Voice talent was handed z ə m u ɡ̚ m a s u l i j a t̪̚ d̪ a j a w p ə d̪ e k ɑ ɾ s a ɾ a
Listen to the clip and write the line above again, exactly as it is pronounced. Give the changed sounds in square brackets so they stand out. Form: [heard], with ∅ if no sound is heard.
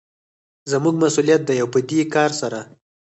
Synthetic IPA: z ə m u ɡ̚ m a s u l i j a t̪̚ d̪ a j a w p ə d̪ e k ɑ ɾ s a ɾ a